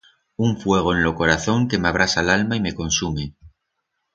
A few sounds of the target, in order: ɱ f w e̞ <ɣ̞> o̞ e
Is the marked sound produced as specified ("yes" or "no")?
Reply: yes